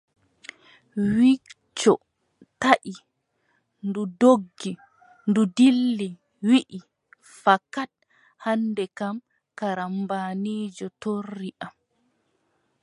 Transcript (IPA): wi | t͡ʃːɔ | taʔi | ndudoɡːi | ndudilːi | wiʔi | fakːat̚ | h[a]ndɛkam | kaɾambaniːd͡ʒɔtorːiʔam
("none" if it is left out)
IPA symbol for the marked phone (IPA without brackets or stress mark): a